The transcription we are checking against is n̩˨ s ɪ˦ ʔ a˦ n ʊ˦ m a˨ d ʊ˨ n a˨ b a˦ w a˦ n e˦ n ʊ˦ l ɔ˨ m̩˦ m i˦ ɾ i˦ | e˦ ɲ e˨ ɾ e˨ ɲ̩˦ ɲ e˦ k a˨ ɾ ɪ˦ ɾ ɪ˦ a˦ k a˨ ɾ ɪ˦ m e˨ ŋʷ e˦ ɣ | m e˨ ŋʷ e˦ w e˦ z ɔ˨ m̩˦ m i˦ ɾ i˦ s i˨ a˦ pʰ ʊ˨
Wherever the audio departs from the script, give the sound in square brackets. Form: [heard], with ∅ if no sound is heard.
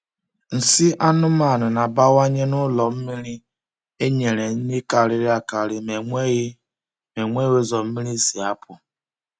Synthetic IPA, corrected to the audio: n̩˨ s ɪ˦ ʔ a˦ n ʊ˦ m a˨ [n] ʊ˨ n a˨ b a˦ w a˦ [ɲ] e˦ n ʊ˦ l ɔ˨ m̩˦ m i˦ ɾ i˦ | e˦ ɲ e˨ ɾ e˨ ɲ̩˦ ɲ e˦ k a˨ ɾ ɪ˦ ɾ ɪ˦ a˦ k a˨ ɾ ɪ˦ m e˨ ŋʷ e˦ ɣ | m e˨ ŋʷ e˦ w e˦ z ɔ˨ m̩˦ m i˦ ɾ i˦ s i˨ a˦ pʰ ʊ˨